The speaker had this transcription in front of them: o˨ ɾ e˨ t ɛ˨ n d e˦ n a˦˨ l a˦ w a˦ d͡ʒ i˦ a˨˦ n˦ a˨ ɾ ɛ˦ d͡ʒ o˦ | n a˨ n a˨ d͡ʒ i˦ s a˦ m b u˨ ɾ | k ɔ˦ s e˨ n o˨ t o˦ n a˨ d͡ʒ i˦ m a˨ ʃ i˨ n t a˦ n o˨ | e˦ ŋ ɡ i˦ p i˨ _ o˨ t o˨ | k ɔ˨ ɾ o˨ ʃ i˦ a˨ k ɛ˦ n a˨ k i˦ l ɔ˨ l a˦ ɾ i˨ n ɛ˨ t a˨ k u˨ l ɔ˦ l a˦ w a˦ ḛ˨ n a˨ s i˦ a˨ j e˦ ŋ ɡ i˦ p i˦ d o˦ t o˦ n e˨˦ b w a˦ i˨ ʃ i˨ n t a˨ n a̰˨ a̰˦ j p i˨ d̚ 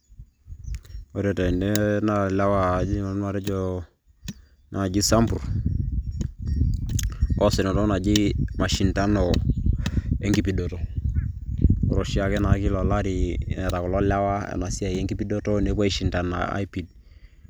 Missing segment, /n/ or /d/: d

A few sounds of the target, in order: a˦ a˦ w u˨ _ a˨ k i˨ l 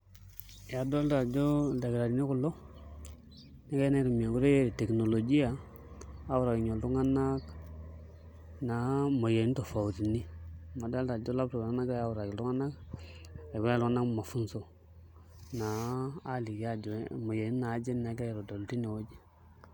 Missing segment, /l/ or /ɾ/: ɾ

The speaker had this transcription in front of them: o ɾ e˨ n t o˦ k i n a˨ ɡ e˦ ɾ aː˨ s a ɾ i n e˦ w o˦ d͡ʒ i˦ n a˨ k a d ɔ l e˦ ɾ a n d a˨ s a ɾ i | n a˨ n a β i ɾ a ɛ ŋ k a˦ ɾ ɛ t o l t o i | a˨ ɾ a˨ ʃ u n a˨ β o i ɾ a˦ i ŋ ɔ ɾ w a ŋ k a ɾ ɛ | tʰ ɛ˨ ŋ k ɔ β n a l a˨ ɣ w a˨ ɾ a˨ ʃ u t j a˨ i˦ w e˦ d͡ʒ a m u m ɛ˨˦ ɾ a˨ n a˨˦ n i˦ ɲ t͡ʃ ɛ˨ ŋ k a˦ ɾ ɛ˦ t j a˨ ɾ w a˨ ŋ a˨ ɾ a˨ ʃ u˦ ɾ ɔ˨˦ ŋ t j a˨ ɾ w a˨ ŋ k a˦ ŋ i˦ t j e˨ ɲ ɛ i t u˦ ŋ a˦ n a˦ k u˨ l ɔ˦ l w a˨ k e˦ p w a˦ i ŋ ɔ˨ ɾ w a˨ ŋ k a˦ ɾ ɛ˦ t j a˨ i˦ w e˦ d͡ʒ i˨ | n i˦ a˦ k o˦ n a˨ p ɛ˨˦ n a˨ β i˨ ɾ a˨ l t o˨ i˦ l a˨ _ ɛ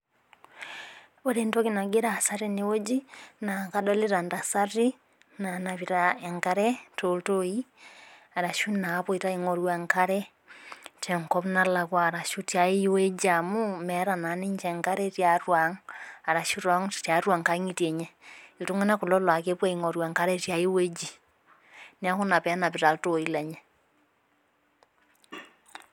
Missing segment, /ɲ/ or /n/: ɲ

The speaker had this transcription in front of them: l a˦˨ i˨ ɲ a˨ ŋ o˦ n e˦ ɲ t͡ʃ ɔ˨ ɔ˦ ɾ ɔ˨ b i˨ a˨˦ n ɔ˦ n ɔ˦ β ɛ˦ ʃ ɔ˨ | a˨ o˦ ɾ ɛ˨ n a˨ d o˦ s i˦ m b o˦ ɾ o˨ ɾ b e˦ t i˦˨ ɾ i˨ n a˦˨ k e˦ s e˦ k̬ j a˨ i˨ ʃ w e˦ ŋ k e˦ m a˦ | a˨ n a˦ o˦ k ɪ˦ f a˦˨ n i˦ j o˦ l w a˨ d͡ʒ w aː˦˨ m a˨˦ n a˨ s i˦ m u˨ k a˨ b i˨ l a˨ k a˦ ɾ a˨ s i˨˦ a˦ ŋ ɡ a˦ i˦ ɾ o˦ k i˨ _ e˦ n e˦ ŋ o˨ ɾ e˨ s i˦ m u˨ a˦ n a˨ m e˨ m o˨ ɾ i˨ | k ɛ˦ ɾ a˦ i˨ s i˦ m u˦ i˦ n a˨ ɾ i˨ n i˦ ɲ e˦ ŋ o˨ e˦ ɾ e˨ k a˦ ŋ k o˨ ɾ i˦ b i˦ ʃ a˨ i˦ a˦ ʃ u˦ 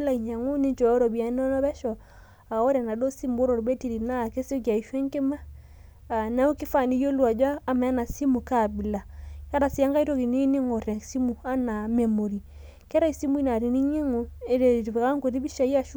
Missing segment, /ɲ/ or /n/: n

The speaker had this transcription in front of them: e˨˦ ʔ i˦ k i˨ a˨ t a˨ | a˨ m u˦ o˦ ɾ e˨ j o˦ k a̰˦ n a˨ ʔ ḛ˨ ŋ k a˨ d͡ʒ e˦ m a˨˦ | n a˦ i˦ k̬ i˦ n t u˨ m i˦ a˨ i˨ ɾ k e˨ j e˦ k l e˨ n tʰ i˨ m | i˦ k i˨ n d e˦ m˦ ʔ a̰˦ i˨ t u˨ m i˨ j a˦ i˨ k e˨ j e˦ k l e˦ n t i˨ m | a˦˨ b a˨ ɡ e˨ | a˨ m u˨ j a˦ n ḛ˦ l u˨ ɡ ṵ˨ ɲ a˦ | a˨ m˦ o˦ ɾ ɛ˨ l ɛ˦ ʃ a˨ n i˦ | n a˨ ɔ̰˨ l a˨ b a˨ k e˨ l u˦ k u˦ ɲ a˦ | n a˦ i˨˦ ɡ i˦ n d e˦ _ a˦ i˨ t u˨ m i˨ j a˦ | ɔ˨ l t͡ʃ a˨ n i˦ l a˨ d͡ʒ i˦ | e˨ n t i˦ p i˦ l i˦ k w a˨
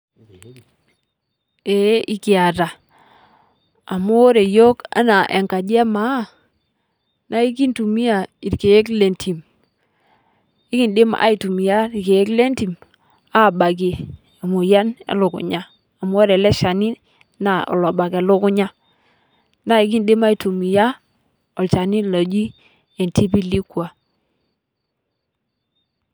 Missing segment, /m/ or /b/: m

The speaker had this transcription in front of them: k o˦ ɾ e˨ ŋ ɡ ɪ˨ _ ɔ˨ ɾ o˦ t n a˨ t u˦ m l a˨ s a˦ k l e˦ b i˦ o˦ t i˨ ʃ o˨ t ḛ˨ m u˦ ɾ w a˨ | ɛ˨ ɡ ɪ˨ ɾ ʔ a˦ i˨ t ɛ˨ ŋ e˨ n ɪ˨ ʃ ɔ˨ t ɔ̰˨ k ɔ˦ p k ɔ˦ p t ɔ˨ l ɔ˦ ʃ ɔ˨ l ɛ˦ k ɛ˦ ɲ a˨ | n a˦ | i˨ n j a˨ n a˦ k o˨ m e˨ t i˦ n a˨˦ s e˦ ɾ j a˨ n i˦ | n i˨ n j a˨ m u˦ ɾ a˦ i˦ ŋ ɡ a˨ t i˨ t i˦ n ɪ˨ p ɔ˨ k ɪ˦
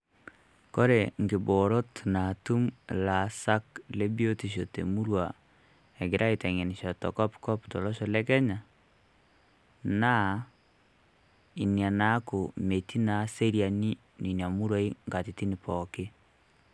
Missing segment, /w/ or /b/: b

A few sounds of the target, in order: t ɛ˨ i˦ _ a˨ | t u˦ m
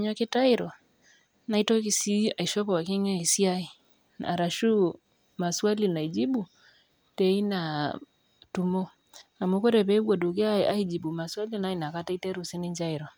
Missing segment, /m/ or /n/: n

